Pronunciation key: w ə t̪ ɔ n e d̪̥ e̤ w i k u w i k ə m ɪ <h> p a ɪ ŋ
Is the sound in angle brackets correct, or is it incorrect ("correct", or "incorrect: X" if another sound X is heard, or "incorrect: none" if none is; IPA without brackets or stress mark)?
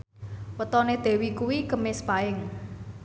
incorrect: s